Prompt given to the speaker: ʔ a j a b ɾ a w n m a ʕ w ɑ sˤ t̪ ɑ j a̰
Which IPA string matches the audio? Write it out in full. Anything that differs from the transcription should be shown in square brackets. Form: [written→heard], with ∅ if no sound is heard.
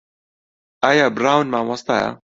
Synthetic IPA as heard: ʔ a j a b ɾ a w n m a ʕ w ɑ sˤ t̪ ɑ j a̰